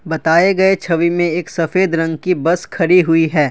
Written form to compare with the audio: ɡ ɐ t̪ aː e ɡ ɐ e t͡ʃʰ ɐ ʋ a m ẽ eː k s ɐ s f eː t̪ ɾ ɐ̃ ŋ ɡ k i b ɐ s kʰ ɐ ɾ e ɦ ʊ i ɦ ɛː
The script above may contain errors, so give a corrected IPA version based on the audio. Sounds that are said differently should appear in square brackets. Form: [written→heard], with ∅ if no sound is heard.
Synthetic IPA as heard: [ɡ→b] ɐ t̪ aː e ɡ ɐ e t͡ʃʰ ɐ ʋ [a→i] m ẽ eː k s ɐ [s→∅] f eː [t̪→d̪] ɾ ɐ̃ ŋ ɡ k i b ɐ s kʰ ɐ ɾ [e→i] ɦ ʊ i ɦ ɛː